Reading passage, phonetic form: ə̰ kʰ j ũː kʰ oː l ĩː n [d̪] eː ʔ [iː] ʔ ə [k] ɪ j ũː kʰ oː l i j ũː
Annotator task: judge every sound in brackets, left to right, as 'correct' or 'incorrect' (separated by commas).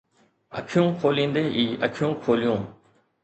correct, correct, incorrect